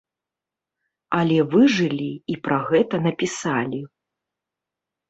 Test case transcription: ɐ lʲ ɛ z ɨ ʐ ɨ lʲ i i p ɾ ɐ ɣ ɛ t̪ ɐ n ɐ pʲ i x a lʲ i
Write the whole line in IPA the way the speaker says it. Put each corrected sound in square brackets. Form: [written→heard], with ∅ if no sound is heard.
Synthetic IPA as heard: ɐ lʲ ɛ [z→v] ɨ ʐ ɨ lʲ i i p ɾ ɐ ɣ ɛ t̪ ɐ n ɐ pʲ i [x→s] a lʲ i